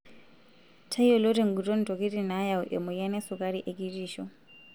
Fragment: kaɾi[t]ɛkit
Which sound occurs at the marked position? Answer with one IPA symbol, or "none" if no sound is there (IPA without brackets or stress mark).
ʔ